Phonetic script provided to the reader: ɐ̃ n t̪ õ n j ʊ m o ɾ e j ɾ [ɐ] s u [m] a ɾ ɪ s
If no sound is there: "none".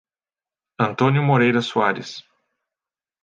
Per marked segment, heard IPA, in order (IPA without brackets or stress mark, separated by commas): ɐ, none